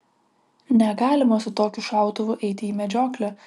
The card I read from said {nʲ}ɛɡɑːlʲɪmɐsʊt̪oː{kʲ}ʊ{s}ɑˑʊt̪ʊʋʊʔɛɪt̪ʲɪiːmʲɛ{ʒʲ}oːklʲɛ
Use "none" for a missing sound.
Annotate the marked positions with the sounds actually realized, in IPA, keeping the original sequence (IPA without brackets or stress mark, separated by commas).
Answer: nʲ, kʲ, ʃ, d͡ʒʲ